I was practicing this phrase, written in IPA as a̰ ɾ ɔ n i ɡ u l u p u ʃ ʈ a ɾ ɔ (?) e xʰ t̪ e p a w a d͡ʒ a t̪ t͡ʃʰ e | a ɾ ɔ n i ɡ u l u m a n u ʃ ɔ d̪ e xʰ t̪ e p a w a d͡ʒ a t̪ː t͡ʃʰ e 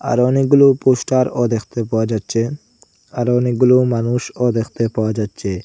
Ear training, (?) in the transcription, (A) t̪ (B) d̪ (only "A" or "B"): B